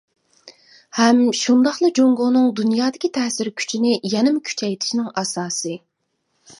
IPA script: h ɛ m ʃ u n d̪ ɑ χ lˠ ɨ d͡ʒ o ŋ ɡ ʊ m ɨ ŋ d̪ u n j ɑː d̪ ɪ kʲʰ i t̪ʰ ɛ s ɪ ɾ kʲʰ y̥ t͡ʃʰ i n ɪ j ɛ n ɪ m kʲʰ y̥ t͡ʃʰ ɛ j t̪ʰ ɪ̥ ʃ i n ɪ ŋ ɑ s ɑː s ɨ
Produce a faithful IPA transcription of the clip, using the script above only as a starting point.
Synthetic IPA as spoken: h ɛ m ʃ u n d̪ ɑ χ lˠ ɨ d͡ʒ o ŋ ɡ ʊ n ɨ ŋ d̪ u n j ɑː d̪ ɪ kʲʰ i t̪ʰ ɛ s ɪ ɾ kʲʰ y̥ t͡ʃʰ i n ɪ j ɛ n ɪ m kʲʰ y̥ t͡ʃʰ ɛ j t̪ʰ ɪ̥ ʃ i n ɪ ŋ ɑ s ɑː s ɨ